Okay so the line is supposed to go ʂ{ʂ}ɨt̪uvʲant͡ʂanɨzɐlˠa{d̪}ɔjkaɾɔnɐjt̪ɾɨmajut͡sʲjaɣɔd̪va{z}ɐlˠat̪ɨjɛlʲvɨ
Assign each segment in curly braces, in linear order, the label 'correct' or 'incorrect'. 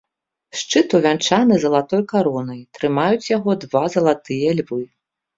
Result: incorrect: t͡ʂ, incorrect: t̪, correct

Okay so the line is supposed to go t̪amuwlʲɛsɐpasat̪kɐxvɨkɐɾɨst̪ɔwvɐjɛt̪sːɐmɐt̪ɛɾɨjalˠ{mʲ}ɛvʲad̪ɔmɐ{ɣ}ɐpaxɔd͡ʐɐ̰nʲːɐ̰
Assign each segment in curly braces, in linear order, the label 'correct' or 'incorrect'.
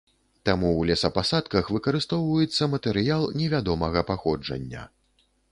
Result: incorrect: nʲ, correct

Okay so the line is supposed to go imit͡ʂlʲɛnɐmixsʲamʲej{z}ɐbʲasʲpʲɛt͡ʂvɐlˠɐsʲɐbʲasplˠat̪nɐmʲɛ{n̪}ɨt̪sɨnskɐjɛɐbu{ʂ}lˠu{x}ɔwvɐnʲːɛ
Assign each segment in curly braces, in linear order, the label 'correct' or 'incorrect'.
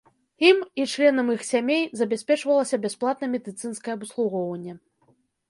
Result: correct, incorrect: d̪, incorrect: s, incorrect: ɣ

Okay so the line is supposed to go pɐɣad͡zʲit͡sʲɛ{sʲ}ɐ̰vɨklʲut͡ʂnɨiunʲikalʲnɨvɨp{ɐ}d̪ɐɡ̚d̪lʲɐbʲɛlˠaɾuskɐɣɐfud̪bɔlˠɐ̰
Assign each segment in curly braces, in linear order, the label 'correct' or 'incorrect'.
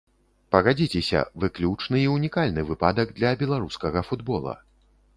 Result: correct, incorrect: a

